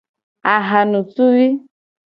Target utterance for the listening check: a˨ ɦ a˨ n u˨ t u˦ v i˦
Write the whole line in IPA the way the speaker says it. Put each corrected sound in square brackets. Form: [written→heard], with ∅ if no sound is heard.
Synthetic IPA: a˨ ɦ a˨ n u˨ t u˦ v i˦